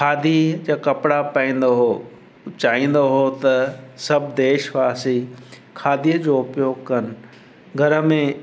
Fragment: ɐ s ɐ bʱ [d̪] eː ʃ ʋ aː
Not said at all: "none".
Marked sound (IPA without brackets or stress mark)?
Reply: d̪